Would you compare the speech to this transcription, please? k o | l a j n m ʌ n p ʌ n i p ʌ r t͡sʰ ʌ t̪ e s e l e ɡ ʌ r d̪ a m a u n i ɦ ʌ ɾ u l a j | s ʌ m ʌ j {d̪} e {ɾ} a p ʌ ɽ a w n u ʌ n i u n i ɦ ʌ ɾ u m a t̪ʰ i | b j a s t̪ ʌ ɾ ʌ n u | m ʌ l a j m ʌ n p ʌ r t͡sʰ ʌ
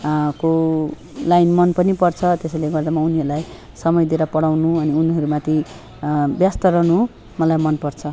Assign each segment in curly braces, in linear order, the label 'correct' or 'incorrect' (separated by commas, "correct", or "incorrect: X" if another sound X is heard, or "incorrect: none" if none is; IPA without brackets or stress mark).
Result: correct, correct